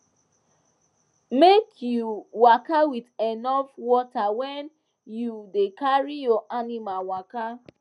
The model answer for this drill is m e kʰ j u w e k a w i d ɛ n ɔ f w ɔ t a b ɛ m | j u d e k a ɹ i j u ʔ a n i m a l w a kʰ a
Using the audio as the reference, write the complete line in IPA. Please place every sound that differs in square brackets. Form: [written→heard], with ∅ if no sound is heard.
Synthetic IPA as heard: m e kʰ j u w [e→a] k a w i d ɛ n ɔ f w ɔ t a [b→w] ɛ [m→n] | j u d e k a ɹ i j [u→ɔ] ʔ a n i m a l w a [kʰ→k] a